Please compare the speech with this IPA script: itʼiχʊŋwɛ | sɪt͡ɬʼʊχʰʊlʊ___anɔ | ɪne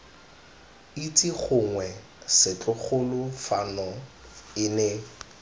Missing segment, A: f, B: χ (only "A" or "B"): A